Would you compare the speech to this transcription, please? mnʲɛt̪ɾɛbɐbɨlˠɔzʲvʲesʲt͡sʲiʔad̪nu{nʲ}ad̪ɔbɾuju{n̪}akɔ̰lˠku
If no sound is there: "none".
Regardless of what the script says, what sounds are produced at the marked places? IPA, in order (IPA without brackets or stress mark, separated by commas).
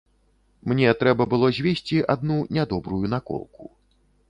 nʲ, n̪